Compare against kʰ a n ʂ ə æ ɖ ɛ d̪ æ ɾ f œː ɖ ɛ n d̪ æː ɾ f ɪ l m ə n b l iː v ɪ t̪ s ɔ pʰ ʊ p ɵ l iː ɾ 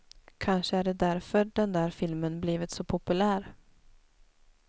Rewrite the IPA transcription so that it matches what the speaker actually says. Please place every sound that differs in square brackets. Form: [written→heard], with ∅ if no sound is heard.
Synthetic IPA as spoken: kʰ a n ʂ ə æ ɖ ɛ d̪ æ ɾ f [œː→œ] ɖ ɛ n d̪ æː ɾ f ɪ l m ə n b l iː v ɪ t̪ s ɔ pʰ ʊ p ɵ l [iː→æː] ɾ

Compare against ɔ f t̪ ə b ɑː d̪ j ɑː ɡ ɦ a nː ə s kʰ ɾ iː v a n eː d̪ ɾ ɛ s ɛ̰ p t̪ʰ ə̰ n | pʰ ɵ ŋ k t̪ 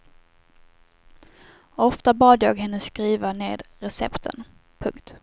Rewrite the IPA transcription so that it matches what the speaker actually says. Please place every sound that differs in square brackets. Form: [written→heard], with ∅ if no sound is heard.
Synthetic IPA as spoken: ɔ f t̪ [ə→a] b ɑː d̪ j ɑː ɡ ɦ [a→ɛ] nː ə s [kʰ→k] ɾ iː v a n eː d̪ ɾ ɛ s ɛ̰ p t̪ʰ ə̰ n | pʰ ɵ ŋ k t̪

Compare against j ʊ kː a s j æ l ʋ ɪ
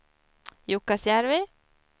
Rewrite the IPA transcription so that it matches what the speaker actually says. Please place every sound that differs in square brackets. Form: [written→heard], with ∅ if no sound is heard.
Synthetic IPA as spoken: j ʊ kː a s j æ [l→ɾ] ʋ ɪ

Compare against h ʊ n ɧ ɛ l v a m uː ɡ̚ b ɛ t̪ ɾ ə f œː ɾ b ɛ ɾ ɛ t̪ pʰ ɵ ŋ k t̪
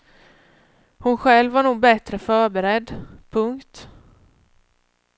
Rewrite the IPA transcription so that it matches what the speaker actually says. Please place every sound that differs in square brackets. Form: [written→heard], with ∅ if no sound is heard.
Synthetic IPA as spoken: h ʊ n ɧ ɛ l v a [m→ɳ] uː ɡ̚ b ɛ t̪ ɾ ə f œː ɾ b ɛ ɾ ɛ [t̪→d̪] pʰ ɵ ŋ k t̪

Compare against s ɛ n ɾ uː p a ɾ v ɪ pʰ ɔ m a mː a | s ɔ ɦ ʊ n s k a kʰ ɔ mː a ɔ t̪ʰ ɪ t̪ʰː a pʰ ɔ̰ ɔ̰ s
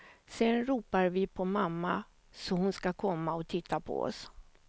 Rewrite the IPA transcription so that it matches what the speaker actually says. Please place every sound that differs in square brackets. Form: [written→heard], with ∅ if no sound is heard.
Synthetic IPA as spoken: s ɛ n ɾ uː p a ɾ v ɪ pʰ ɔ m a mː a | s ɔ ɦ ʊ n s k a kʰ ɔ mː a ɔ t̪ʰ ɪ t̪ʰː a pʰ ɔ̰ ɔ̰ s

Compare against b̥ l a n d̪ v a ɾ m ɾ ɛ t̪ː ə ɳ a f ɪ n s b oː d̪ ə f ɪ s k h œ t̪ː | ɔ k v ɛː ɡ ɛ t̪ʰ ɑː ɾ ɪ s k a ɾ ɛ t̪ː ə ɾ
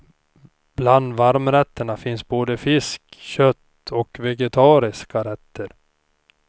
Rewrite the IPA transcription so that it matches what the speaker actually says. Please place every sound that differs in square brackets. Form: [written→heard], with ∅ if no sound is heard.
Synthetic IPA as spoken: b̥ l a n d̪ v a ɾ m ɾ ɛ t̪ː ə ɳ a f ɪ n s b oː d̪ ə f ɪ s k [h→ɕ] œ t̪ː | ɔ k v [ɛː→ɛ] ɡ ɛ t̪ʰ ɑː ɾ ɪ s k a ɾ ɛ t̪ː ə ɾ

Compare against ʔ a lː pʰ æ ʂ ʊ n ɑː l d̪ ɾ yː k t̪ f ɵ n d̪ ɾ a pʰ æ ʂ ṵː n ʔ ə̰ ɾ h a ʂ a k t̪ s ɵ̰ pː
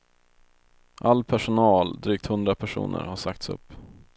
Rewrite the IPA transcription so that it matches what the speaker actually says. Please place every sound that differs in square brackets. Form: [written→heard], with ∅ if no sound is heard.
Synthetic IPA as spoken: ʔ a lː pʰ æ ʂ ʊ n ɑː l d̪ ɾ yː k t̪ [f→h] ɵ n d̪ ɾ a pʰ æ ʂ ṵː n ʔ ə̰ ɾ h a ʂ a k t̪ s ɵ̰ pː

